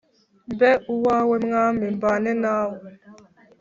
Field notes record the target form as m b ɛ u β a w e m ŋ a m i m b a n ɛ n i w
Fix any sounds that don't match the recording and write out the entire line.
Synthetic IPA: m b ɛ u w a w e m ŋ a m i m b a n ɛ n a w